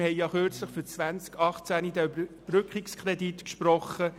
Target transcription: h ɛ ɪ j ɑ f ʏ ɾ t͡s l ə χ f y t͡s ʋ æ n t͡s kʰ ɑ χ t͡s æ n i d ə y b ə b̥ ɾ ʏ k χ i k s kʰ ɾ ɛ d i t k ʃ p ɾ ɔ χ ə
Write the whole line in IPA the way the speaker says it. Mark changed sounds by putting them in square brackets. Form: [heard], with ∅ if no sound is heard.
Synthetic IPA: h ɛ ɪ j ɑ [χ] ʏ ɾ t͡s l ə χ f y t͡s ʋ æ n t͡s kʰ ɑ χ t͡s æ n i d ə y b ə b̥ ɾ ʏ k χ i k s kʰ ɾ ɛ d i t k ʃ p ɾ ɔ χ ə